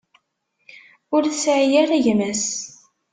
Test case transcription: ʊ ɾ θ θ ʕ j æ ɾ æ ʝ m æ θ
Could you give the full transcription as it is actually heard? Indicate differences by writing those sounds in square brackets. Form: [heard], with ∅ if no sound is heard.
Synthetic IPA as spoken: ʊ ɾ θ [s] ʕ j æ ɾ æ ʝ m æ [s]